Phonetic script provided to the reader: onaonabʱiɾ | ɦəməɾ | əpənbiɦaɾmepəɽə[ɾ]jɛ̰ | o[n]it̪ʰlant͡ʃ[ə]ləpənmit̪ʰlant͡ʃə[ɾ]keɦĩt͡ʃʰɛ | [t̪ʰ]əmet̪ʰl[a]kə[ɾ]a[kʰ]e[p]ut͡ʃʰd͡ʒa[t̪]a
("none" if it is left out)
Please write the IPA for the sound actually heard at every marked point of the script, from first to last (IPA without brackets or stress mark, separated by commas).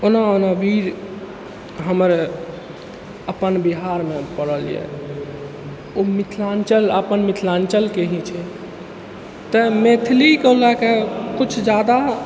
l, m, ə, l, t̪, i, l, k, k, d̪